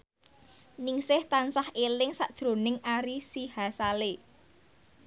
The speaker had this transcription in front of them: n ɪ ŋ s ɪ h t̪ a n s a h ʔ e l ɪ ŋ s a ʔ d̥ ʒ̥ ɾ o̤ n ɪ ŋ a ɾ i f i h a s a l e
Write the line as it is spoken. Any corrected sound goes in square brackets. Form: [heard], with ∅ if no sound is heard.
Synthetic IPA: n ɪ ŋ s ɪ h t̪ a n s a h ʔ e l ɪ ŋ s a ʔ d̥ ʒ̥ ɾ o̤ n ɪ ŋ a ɾ i [s] i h a s a l e